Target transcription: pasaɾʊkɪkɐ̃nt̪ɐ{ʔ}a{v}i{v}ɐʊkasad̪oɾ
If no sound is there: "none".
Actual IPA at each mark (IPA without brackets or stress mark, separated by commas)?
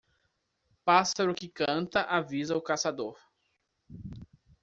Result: ʔ, v, z